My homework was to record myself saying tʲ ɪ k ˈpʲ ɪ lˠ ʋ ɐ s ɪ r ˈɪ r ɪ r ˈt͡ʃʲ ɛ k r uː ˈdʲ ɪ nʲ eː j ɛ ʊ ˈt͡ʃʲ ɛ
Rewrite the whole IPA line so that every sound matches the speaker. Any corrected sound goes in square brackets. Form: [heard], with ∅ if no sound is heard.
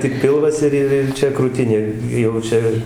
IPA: tʲ ɪ k ˈpʲ ɪ lˠ ʋ ɐ s ɪ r ˈɪ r ɪ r ˈt͡ʃʲ ɛ k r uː [ˈtʲ] ɪ nʲ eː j ɛ ʊ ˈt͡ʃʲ ɛ

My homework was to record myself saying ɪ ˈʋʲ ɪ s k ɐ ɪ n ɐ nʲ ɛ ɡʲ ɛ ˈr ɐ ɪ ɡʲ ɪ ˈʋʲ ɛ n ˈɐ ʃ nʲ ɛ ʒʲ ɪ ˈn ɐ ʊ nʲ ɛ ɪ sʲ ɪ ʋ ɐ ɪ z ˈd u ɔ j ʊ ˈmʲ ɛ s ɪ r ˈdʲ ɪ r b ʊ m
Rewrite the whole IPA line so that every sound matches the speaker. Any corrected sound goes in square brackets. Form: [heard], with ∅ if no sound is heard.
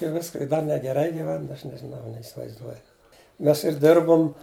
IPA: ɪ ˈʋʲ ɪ s k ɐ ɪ [d] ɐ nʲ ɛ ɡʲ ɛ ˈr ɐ ɪ ɡʲ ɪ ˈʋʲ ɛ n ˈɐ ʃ nʲ ɛ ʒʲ ɪ ˈn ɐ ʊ nʲ ɛ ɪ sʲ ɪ ʋ ɐ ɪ z ˈd u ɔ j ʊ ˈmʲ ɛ s ɪ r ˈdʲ ɪ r b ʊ m

